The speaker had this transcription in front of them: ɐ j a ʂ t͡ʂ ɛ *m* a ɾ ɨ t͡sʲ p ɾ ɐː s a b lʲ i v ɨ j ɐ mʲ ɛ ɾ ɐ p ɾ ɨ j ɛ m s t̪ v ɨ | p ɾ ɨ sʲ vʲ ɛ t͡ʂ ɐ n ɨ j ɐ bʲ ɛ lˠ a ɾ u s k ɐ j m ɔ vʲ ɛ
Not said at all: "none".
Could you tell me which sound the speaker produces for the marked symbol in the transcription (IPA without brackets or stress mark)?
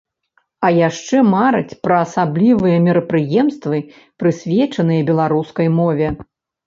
m